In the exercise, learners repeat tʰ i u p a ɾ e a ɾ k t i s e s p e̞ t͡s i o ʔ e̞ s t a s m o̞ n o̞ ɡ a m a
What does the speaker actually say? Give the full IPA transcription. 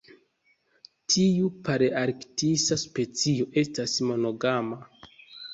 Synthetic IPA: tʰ i u p a ɾ e a ɾ k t i s a s p e̞ t͡s i o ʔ e̞ s t a s m o̞ n o̞ ɡ a m a